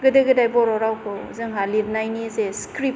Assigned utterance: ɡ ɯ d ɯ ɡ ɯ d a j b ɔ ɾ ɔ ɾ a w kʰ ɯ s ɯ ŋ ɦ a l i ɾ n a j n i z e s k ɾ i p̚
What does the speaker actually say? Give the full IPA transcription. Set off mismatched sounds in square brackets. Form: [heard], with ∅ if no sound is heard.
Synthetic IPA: ɡ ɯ d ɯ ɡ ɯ d a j b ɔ ɾ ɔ ɾ a w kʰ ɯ [z] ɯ ŋ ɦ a l i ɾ n a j n i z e s k ɾ i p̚